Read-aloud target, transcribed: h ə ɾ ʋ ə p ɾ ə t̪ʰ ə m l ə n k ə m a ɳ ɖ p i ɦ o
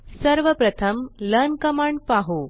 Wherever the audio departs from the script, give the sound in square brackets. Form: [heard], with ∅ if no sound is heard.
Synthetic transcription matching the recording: [s] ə ɾ ʋ ə p ɾ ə t̪ʰ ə m l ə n k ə m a ɳ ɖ p [a] ɦ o

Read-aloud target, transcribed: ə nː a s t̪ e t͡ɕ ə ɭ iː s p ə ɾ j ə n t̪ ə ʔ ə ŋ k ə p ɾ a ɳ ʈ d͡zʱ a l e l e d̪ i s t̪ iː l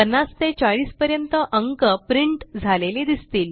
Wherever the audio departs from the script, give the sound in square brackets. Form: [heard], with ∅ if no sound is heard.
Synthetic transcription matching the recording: ə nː a s t̪ e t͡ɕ [a] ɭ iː s p ə ɾ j ə n t̪ ə ʔ ə ŋ k ə p ɾ [i] ɳ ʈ d͡zʱ a l e l e d̪ i s t̪ iː l

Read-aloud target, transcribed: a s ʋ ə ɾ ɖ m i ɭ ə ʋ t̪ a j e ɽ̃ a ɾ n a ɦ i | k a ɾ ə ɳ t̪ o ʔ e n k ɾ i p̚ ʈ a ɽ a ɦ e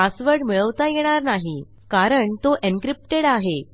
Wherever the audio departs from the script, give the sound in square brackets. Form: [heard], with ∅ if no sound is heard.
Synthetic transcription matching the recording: a s ʋ ə ɾ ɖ m i ɭ ə ʋ t̪ a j e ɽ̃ a ɾ n a ɦ i | k a ɾ ə ɳ t̪ o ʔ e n k ɾ i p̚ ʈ [e] ɽ a ɦ e

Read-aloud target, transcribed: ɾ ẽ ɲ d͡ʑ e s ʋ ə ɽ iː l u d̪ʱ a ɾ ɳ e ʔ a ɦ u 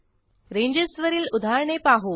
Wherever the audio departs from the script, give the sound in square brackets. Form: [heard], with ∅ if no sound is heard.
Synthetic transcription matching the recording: ɾ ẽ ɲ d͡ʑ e s ʋ ə [ɾ] iː l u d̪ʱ a ɾ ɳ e [p] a ɦ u

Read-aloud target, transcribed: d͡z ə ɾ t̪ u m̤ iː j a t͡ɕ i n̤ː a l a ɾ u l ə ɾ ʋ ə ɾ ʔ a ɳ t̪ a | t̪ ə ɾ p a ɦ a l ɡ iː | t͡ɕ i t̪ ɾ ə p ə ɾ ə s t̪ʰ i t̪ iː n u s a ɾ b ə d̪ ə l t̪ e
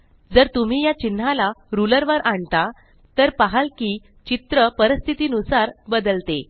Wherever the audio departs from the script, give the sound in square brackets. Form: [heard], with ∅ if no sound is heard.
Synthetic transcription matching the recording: d͡z ə ɾ t̪ u m̤ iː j a t͡ɕ i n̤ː a l a ɾ u l ə ɾ ʋ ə ɾ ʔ a ɳ t̪ a | t̪ ə ɾ p a ɦ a l [k] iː | t͡ɕ i t̪ ɾ ə p ə ɾ ə s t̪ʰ i t̪ iː n u s a ɾ b ə d̪ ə l t̪ e

